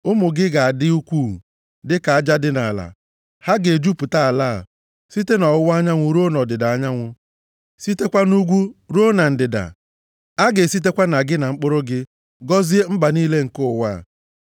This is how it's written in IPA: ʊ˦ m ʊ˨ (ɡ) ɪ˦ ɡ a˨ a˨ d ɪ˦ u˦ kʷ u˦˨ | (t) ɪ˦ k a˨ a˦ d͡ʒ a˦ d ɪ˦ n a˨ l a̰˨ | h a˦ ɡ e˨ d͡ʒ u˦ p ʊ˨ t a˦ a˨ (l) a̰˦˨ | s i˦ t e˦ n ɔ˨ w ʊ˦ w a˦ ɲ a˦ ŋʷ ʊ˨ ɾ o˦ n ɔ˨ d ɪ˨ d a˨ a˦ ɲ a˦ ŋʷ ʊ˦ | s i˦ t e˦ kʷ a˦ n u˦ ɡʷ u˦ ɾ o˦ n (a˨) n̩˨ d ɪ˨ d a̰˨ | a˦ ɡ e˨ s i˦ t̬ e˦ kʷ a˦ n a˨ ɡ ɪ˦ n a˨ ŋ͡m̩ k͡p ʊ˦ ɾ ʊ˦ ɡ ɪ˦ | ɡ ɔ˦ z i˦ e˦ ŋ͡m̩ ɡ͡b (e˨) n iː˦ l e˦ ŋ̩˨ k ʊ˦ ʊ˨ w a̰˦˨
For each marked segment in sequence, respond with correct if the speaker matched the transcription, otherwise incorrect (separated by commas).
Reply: correct, incorrect, correct, correct, incorrect